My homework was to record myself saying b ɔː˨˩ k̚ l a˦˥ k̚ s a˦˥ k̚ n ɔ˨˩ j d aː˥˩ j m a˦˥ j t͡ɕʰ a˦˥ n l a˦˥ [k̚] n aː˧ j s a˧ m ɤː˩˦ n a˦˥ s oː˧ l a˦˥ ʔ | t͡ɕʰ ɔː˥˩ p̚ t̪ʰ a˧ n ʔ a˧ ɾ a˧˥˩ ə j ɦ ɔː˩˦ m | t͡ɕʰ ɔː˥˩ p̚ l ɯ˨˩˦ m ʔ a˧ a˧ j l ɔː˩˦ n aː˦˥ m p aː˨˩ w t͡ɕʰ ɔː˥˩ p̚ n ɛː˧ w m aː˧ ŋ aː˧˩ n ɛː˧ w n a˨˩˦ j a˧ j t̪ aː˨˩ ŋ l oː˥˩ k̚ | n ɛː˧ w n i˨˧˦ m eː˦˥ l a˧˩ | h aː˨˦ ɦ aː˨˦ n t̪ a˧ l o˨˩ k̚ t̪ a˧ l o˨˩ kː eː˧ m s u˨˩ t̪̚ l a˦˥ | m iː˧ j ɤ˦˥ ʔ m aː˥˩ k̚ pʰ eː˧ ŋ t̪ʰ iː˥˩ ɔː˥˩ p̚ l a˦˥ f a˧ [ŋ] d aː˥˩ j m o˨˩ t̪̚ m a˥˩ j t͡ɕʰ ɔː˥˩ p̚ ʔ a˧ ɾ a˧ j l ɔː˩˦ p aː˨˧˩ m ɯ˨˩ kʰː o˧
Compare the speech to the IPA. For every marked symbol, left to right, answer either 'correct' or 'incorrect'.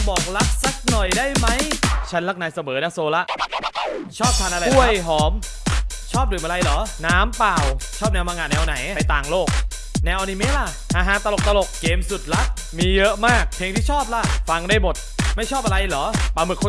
correct, correct

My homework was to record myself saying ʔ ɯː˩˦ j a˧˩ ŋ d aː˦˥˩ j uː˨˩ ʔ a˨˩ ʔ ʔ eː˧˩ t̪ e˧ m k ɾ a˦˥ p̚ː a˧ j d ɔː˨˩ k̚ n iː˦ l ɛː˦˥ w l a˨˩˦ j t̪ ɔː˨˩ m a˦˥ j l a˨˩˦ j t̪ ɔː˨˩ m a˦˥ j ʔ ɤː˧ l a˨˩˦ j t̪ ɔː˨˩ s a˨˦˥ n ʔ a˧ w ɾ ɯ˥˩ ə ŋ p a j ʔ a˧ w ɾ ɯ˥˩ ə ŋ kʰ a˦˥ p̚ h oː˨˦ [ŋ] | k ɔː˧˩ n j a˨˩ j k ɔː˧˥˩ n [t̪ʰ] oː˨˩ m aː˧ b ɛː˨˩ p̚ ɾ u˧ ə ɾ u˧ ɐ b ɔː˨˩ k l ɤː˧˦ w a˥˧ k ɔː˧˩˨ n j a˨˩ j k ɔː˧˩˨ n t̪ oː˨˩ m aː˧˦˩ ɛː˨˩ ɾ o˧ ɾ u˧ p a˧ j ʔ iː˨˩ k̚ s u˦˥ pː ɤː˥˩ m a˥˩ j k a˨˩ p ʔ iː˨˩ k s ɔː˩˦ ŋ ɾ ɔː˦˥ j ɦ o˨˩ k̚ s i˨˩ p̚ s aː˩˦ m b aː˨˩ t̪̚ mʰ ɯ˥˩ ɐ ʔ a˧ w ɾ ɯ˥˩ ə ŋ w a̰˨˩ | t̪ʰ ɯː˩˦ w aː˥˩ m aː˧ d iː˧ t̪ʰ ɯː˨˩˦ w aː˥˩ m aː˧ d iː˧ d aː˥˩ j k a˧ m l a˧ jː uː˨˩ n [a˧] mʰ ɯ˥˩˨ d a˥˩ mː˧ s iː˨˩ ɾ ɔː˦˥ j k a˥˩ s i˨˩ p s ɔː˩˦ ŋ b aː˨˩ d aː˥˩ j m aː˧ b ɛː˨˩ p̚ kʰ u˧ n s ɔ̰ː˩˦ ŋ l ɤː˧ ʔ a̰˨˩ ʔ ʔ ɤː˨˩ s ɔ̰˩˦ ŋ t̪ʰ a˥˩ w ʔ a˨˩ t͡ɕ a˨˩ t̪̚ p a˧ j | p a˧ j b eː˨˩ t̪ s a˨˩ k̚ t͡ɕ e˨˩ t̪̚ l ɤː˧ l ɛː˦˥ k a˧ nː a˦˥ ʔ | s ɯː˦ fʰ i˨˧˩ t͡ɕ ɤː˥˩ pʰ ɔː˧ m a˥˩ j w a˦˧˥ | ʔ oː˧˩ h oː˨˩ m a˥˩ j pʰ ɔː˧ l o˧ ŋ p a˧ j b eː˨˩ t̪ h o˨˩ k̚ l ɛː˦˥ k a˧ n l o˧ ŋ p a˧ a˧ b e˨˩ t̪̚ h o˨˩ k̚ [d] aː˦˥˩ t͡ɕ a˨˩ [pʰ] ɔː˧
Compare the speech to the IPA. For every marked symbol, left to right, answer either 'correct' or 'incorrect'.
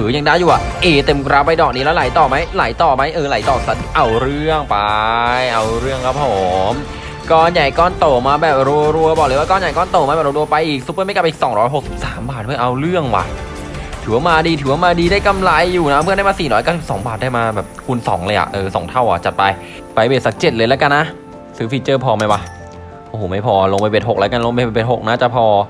incorrect, incorrect, incorrect, incorrect, correct

